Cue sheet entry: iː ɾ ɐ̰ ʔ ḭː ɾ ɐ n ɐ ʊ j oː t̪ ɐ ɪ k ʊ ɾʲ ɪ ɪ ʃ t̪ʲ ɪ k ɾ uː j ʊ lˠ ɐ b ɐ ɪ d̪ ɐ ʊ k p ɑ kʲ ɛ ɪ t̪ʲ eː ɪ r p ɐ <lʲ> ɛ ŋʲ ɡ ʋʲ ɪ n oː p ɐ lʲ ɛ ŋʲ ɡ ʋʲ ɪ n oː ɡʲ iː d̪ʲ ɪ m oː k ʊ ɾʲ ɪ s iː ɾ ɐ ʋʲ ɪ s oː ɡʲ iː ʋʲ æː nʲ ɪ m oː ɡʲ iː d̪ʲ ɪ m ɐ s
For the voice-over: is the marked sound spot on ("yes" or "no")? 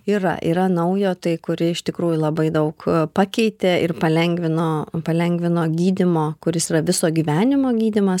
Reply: yes